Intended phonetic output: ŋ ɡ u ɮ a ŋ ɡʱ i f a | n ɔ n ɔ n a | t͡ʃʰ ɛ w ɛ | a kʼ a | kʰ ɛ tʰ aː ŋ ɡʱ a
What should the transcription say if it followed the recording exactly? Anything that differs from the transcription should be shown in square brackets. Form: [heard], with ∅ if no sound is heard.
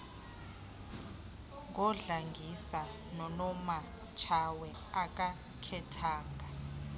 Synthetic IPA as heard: ŋ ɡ [ɔ] ɮ a ŋ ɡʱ i [s] a | n ɔ n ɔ [m] a | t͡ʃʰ [a] w ɛ | a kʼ a | kʰ ɛ tʰ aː ŋ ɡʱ a